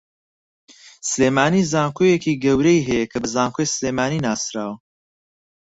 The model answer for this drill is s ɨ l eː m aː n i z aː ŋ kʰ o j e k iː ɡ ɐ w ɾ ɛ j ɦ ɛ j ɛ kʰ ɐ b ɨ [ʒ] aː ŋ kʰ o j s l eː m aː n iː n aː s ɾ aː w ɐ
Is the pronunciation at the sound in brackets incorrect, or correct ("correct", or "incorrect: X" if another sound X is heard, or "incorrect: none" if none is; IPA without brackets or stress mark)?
incorrect: z